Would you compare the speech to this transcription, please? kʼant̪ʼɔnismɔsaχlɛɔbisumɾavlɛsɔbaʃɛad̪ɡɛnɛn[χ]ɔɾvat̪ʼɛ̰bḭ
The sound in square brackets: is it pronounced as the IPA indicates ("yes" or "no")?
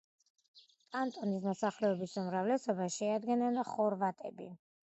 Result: yes